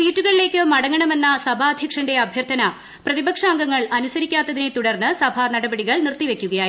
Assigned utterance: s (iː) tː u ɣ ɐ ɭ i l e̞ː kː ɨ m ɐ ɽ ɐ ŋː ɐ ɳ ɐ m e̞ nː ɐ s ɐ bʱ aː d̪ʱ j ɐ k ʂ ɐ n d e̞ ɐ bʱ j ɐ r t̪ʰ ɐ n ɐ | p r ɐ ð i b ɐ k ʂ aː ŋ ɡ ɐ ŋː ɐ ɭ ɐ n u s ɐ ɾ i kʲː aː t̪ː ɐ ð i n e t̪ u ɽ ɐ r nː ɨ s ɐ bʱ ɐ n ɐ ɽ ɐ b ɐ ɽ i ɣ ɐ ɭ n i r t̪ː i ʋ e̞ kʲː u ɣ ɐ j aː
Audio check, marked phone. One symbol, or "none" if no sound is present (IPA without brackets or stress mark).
iː